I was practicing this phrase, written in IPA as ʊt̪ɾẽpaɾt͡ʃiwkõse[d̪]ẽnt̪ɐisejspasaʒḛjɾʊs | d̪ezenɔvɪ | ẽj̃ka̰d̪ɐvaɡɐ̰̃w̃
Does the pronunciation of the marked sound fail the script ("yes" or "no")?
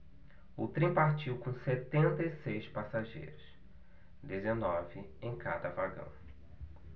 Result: yes